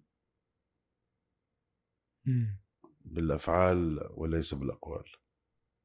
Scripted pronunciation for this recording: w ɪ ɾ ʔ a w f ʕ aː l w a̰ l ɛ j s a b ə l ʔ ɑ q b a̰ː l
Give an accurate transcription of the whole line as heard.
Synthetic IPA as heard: b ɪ l ʔ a f ʕ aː l w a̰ l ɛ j s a b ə l ʔ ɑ q w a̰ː l